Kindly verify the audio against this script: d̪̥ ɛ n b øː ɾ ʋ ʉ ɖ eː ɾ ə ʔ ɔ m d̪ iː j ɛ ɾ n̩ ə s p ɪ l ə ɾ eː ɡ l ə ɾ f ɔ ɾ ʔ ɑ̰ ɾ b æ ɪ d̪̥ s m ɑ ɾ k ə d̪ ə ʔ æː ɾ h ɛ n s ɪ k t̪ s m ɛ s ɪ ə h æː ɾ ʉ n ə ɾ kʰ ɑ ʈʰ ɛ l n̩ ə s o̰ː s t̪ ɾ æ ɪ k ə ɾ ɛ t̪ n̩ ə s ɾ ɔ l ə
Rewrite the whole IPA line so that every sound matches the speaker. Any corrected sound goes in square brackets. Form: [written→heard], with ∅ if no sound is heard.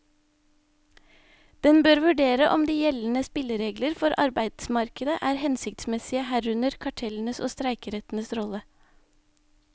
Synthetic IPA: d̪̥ ɛ n b øː ɾ ʋ ʉ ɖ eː ɾ ə ʔ ɔ m d̪ iː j ɛ [ɾ→l] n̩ ə s p ɪ l ə ɾ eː ɡ l ə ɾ f ɔ ɾ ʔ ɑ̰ ɾ b æ ɪ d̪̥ s m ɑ ɾ k ə d̪ ə ʔ æː ɾ h ɛ n s ɪ k t̪ s m ɛ s ɪ ə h æː ɾ ʉ n ə ɾ kʰ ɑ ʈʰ ɛ l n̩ ə s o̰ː s t̪ ɾ æ ɪ k ə ɾ ɛ t̪ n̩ ə s ɾ ɔ l ə